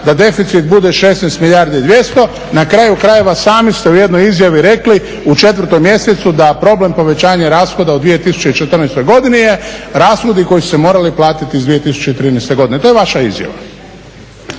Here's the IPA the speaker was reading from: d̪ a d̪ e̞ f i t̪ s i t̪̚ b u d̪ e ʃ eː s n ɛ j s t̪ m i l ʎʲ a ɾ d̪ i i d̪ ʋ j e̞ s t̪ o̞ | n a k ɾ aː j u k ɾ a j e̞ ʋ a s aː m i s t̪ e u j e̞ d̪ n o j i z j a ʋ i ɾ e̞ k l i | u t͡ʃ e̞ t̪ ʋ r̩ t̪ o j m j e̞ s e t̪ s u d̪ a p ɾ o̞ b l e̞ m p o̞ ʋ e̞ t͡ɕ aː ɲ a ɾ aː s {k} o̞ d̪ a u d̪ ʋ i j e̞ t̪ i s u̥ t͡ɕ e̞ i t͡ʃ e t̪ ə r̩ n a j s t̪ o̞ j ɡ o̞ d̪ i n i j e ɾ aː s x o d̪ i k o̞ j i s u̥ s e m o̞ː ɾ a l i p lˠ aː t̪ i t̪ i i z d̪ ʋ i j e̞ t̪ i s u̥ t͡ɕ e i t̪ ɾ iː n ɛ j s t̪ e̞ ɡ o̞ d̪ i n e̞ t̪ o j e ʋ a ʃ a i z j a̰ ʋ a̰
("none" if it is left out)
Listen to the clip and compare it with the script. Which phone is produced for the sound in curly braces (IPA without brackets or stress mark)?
x